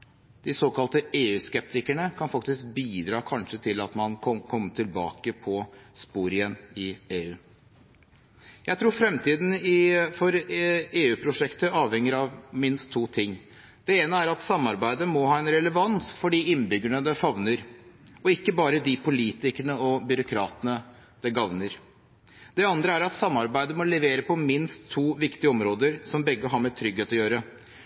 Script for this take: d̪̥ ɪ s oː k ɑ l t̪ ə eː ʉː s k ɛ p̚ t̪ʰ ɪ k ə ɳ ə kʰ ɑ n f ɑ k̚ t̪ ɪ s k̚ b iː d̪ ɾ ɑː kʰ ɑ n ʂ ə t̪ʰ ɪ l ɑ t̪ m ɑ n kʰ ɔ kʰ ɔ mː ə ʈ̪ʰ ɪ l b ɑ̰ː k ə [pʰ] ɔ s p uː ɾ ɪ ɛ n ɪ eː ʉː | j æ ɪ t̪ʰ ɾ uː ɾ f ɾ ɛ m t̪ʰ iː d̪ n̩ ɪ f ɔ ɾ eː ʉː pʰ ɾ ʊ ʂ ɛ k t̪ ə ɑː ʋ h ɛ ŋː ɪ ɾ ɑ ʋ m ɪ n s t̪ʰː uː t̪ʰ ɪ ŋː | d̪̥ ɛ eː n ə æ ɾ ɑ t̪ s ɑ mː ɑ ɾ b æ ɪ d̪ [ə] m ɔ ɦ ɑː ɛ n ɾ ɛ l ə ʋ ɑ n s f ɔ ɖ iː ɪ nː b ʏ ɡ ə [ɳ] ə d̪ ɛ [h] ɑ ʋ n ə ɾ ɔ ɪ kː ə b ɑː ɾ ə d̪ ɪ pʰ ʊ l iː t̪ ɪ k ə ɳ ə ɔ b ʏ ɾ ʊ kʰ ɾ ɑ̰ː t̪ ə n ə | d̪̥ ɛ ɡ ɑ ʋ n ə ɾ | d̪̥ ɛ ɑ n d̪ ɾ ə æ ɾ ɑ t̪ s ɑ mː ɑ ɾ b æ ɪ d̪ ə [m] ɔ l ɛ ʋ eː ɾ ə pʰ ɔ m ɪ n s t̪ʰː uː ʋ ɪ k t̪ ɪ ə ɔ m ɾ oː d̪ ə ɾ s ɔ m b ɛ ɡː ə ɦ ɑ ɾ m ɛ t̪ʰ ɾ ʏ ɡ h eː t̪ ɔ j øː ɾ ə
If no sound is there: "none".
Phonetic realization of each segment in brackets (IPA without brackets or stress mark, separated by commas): pʰ, ə, ɳ, f, m